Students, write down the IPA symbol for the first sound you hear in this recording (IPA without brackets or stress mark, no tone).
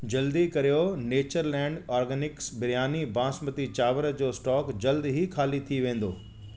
d͡ʑ